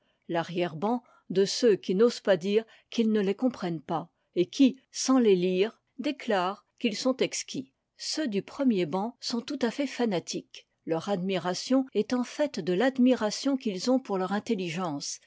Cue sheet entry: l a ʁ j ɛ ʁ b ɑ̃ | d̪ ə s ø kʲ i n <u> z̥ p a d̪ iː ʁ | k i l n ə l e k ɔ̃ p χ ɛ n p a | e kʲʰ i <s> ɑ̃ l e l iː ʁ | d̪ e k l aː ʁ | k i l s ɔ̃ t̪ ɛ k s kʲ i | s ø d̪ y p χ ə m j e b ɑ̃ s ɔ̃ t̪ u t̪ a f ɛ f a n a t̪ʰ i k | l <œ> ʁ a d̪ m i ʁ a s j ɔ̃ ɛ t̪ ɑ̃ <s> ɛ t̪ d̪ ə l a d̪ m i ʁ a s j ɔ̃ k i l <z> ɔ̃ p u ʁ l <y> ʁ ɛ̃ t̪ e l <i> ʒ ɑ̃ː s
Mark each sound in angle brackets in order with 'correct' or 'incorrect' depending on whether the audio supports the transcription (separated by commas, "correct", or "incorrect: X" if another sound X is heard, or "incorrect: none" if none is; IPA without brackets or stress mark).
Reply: incorrect: o, correct, correct, incorrect: f, correct, incorrect: œ, correct